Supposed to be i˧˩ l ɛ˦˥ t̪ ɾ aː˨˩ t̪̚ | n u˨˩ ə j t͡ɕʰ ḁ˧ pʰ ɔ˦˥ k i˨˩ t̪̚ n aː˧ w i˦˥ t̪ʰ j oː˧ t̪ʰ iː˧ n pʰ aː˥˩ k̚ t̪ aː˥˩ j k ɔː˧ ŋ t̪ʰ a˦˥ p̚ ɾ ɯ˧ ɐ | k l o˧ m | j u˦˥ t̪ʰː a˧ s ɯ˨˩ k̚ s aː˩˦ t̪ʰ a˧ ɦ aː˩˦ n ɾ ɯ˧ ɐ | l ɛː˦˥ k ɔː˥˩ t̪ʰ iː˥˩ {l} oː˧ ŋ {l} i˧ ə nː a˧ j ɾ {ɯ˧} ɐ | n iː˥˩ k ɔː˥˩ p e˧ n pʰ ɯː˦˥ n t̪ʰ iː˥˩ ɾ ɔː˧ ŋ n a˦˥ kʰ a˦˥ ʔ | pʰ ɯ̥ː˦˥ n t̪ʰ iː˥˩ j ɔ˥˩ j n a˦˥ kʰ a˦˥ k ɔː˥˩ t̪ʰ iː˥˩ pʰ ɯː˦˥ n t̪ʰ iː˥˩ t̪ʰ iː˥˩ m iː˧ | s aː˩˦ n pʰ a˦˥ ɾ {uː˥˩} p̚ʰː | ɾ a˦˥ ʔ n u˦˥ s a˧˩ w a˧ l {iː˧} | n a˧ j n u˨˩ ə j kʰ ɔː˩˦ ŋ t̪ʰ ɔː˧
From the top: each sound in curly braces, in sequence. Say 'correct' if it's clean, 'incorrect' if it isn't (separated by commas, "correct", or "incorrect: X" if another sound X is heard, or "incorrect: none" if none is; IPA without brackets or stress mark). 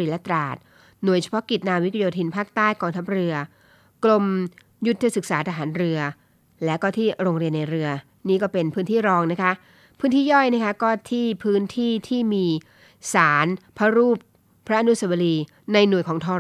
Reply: incorrect: ɾ, incorrect: ɾ, correct, correct, correct